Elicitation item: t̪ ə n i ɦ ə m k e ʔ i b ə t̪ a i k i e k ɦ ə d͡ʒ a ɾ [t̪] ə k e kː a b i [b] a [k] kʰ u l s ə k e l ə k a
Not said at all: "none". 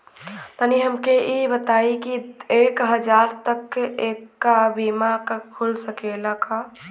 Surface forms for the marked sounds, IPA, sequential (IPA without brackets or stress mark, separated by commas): t̪, m, k